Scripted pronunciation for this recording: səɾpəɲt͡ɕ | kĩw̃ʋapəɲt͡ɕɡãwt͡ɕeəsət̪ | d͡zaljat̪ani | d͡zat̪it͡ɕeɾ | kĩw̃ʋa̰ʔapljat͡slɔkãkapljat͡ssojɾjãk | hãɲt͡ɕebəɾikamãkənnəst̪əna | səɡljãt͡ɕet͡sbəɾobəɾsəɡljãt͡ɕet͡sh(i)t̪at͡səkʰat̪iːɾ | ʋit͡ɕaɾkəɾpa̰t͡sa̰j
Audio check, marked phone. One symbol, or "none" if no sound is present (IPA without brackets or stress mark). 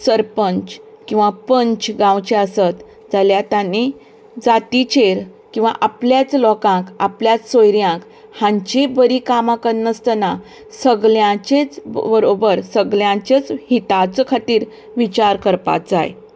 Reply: i